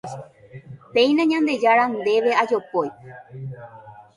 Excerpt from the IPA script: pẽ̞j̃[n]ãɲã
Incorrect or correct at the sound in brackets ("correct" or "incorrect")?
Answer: correct